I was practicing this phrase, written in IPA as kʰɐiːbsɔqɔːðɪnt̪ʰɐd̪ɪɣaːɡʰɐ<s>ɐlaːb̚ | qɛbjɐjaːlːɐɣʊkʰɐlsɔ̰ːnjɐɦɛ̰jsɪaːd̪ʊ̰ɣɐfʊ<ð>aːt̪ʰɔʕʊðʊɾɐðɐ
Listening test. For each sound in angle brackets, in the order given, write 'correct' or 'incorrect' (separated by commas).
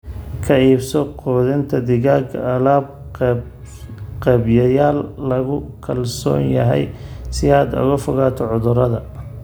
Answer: incorrect, incorrect